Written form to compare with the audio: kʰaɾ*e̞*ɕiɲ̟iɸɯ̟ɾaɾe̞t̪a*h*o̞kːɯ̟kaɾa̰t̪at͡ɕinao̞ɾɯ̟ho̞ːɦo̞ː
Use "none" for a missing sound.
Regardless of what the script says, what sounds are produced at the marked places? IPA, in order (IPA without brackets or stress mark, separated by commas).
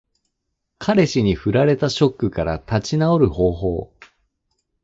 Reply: e̞, ɕ